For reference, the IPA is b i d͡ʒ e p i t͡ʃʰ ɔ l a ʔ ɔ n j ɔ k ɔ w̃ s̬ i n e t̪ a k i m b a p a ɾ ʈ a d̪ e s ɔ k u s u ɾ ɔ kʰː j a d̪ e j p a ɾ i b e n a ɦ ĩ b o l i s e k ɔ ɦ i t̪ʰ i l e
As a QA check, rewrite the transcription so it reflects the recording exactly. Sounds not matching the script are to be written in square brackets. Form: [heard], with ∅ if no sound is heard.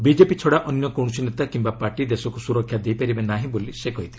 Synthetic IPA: b i d͡ʒ e p i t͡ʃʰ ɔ [ɽ] a ʔ ɔ n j ɔ k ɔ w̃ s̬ i n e t̪ a k i m b a p a ɾ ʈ [i] d̪ e s ɔ k u s u ɾ ɔ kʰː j a d̪ e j p a ɾ i b e n a ɦ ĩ b o l i s e k ɔ ɦ i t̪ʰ i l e